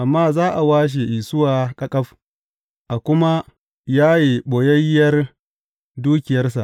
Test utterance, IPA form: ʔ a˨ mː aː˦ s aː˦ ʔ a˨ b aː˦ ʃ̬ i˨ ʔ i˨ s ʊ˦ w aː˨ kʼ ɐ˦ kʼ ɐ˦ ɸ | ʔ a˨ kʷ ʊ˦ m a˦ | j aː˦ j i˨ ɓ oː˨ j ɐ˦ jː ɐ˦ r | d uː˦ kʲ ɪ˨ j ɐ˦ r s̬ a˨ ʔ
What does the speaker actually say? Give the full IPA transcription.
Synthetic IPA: ʔ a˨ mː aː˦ z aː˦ ʔ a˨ w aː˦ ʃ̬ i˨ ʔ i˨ s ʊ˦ w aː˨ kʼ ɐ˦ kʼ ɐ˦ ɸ | ʔ a˨ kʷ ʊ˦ m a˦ | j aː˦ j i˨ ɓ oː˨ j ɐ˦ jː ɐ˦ r | d uː˦ kʲ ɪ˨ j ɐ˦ r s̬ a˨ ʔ